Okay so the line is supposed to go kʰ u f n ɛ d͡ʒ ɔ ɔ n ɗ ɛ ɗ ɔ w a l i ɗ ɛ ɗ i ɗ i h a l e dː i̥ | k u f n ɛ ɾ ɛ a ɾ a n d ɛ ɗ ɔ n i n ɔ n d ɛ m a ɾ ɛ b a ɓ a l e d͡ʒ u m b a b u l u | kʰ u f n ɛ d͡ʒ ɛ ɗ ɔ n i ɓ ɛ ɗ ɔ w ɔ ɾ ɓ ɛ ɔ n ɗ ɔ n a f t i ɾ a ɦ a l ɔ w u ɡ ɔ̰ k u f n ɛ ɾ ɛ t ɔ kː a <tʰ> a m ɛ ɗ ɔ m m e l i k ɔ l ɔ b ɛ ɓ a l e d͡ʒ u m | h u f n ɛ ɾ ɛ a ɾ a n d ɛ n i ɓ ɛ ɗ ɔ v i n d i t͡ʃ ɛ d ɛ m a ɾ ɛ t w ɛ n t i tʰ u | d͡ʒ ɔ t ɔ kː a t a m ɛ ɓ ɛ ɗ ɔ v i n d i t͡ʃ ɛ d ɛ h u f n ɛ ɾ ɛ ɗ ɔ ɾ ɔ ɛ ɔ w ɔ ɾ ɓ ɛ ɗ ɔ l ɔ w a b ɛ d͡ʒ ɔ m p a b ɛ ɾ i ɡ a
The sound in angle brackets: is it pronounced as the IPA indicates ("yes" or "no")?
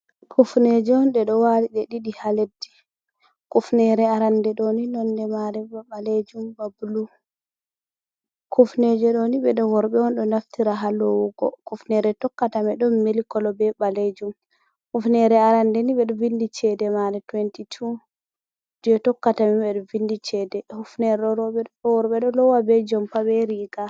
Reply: no